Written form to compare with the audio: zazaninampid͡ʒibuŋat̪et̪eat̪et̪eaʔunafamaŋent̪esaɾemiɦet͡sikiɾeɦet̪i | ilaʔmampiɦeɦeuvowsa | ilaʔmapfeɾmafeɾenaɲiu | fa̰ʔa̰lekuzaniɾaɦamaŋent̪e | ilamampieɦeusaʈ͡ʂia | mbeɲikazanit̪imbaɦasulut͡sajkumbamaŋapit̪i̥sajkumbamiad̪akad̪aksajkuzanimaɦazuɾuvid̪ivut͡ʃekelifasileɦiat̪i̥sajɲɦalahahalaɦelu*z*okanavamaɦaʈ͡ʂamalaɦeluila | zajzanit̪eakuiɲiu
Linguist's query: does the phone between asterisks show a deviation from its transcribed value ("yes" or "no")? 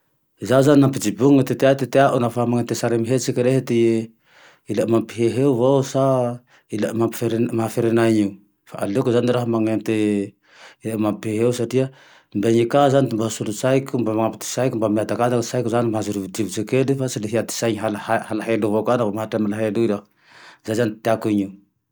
yes